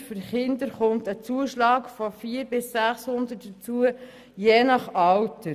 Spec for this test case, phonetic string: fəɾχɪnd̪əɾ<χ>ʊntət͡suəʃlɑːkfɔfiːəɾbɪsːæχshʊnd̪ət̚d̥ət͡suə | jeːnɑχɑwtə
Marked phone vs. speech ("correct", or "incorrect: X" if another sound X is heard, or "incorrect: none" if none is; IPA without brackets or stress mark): correct